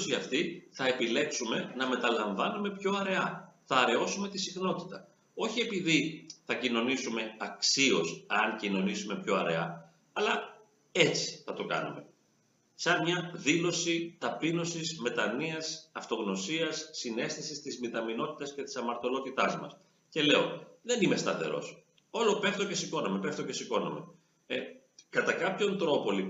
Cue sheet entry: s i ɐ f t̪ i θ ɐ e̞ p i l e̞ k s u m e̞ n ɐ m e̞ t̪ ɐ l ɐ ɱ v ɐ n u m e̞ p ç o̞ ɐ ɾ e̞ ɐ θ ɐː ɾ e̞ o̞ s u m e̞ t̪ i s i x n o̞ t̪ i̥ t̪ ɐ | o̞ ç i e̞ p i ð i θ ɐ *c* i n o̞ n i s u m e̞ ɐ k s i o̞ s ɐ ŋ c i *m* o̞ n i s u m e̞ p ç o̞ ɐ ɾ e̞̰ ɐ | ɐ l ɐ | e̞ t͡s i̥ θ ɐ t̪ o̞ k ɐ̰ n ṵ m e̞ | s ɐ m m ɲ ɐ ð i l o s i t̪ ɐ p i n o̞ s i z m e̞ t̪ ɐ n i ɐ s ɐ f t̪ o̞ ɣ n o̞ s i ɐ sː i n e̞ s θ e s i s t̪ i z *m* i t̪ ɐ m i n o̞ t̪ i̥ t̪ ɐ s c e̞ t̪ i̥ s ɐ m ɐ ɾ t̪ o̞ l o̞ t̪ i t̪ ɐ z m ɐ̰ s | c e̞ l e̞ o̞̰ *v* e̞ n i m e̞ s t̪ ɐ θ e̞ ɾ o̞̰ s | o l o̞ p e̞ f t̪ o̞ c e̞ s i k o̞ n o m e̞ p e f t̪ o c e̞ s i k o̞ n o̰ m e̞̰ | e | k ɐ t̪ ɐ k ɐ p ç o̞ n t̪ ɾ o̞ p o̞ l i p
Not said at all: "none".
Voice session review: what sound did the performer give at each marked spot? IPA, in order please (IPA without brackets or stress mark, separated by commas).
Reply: c, n, m, ð